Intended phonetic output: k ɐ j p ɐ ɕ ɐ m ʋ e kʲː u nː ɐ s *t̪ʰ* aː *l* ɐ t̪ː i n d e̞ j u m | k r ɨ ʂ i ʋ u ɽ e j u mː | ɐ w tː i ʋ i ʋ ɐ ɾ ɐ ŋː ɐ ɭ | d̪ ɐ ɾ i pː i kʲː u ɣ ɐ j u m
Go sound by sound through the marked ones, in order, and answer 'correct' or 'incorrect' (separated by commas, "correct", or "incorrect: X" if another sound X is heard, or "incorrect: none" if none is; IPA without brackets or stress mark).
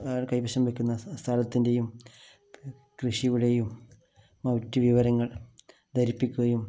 correct, correct